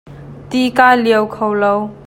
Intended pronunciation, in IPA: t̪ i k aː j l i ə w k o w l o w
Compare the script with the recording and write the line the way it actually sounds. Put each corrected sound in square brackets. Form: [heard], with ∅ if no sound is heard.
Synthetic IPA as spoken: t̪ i k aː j l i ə w [kʰ] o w l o w